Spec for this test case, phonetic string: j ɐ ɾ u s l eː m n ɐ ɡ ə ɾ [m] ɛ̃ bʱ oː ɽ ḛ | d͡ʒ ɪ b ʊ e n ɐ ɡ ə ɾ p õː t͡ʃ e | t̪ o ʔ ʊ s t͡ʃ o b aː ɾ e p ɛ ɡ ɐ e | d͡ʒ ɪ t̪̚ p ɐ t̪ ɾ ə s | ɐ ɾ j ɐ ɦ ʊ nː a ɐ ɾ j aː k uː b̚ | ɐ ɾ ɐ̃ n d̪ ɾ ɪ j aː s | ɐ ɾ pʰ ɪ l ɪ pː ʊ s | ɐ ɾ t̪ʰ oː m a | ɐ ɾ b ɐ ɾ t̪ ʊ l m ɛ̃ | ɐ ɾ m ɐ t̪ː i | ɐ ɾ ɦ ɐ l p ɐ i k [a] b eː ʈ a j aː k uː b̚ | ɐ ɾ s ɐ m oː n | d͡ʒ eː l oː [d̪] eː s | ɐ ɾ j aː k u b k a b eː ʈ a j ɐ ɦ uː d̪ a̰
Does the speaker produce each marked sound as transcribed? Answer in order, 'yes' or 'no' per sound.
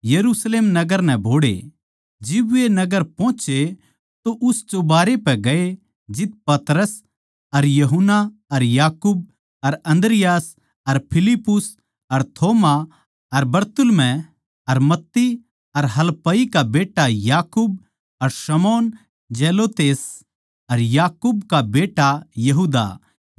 no, yes, no

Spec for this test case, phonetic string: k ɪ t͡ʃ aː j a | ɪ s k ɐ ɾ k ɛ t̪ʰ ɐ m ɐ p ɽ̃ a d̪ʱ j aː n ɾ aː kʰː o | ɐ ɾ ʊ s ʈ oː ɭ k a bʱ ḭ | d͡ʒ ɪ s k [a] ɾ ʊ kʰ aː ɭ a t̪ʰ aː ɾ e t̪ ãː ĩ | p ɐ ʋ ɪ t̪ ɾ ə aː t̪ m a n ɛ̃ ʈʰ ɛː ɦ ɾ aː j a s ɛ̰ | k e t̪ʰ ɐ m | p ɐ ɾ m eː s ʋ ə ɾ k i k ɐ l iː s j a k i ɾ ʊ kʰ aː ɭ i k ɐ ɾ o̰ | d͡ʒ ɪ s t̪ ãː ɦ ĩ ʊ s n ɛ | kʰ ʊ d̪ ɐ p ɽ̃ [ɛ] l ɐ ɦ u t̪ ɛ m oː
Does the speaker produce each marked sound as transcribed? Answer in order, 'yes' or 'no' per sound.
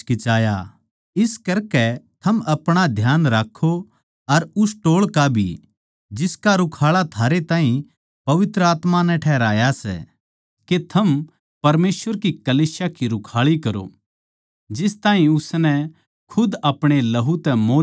yes, no

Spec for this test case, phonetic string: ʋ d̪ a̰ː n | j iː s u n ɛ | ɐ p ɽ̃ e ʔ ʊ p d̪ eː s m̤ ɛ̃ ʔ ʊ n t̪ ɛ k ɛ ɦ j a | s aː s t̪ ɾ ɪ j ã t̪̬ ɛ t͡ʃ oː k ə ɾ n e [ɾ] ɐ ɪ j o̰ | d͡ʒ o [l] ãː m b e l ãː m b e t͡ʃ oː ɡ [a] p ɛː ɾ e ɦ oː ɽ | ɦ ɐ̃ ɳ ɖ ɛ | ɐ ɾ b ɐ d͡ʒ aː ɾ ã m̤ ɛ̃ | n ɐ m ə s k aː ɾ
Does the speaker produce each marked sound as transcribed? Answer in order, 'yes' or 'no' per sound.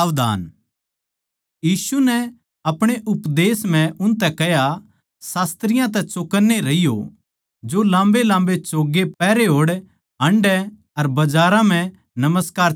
yes, yes, no

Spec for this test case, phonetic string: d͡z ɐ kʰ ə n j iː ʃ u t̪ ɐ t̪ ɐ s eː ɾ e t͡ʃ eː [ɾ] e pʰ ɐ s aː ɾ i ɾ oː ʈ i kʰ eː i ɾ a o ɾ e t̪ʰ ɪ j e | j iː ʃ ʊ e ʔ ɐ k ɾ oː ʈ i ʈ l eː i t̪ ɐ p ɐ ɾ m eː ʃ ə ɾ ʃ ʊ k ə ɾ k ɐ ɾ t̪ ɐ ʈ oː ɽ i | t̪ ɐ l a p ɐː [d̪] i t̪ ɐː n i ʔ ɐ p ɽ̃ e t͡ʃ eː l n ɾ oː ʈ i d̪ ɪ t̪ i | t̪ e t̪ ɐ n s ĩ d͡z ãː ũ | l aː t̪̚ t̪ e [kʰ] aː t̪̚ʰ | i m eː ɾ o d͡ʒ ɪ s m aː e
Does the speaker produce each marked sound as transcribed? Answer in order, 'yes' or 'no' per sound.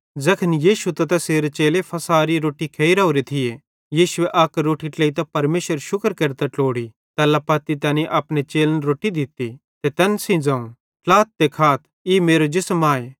no, no, yes

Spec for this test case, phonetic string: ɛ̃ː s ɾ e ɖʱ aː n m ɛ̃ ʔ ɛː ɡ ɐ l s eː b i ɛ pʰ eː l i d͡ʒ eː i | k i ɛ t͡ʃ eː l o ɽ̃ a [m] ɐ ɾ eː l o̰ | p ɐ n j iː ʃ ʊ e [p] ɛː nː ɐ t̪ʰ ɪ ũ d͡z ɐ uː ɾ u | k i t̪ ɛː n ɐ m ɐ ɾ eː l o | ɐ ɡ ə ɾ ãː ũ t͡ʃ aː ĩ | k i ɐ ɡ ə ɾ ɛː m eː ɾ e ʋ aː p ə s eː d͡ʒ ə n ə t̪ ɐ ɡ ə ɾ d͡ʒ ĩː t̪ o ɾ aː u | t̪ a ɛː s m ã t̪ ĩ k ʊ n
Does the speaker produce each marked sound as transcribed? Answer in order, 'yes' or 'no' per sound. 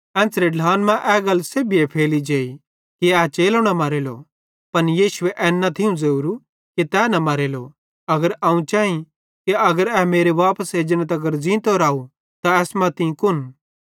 yes, no

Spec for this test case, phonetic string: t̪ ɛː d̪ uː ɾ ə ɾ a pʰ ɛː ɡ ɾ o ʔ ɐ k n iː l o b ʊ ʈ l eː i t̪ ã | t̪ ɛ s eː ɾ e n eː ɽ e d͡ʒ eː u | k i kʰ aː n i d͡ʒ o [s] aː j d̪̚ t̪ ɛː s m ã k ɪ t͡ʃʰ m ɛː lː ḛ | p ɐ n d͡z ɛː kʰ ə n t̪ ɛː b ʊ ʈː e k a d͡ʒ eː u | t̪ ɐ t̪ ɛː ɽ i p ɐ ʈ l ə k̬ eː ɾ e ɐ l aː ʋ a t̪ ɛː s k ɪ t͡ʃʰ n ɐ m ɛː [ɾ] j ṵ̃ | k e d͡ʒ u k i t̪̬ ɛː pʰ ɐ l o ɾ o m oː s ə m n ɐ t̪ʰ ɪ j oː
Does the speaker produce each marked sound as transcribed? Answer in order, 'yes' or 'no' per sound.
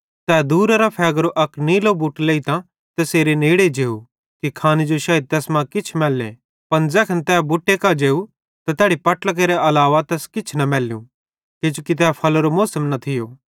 no, no

